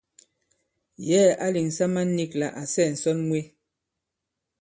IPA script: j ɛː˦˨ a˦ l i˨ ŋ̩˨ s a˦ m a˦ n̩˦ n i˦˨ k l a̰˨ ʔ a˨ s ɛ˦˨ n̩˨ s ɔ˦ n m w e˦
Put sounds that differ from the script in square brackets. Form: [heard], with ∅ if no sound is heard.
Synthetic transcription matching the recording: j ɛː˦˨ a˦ l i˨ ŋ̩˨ s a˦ m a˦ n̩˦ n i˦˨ k l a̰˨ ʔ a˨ s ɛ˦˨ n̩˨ s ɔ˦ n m w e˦